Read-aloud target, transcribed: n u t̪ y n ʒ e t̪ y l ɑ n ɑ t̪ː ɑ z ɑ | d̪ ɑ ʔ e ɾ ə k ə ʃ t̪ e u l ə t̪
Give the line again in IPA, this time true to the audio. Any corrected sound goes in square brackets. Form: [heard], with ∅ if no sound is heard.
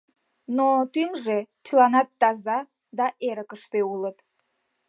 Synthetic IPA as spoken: n [o] t̪ y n ʒ e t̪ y l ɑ n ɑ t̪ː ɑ z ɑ | d̪ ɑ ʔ e ɾ ə k ə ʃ t̪ e u l ə t̪